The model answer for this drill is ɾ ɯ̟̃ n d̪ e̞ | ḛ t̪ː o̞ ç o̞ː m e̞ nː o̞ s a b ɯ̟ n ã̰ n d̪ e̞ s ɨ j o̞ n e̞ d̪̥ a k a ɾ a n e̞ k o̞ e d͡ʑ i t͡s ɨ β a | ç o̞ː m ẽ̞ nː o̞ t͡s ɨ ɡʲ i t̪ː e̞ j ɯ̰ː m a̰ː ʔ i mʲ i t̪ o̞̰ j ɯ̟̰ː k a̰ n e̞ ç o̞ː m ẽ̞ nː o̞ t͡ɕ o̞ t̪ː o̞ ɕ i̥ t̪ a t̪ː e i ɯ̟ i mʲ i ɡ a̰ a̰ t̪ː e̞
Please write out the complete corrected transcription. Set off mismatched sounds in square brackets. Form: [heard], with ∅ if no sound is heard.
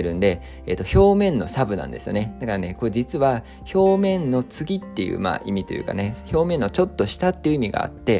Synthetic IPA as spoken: ɾ ɯ̟̃ n d̪ e̞ | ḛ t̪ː o̞ ç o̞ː m [ẽ̞] nː o̞ s a b ɯ̟ n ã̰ n d̪ e̞ s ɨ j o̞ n e̞ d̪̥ a k a ɾ a n e̞ k o̞ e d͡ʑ i t͡s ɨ β a | ç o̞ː m ẽ̞ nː o̞ t͡s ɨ ɡʲ i t̪ː e̞ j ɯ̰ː m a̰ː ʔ i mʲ i t̪ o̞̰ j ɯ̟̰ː k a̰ n e̞ ç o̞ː m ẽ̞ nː o̞ t͡ɕ o̞ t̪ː o̞ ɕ i̥ t̪ a t̪ː e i ɯ̟ i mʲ i ɡ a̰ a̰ t̪ː e̞